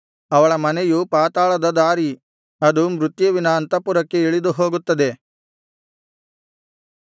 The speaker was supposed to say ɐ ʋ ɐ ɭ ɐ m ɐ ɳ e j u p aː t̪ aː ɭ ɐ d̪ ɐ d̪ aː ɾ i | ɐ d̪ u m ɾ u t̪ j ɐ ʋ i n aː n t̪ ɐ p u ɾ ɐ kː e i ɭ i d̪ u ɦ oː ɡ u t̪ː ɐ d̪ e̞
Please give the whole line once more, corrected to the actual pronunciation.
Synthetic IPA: ɐ ʋ ɐ ɭ ɐ m ɐ n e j u p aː t̪ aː ɭ ɐ d̪ ɐ d̪ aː ɾ i | ɐ d̪ u m ɾ u t̪ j ɐ ʋ i n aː n t̪ ɐ p u ɾ ɐ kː e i ɭ i d̪ u ɦ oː ɡ u t̪ː ɐ d̪ e̞